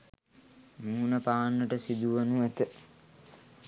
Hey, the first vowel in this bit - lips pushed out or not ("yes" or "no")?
yes